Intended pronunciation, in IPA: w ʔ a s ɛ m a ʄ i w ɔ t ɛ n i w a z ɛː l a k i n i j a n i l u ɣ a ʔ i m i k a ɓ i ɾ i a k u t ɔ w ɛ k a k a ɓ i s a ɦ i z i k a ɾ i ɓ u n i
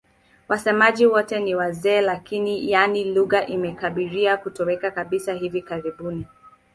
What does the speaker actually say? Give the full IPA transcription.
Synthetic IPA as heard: w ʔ a s ɛ m a ʄ i w ɔ t ɛ n i w a z ɛː l a k i n i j a n i l u ɣ a ʔ i m ɛ k a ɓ i ɾ i a k u t ɔ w ɛ k a k a ɓ i s a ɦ i v i k a ɾ i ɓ u n i